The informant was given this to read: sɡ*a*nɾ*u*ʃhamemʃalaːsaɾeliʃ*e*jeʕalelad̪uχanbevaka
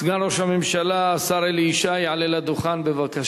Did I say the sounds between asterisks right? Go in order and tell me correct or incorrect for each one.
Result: correct, incorrect: o, incorrect: a

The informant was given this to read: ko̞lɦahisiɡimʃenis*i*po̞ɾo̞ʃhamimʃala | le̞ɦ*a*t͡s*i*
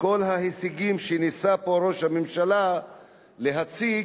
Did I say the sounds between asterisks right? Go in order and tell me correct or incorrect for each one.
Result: incorrect: a, correct, correct

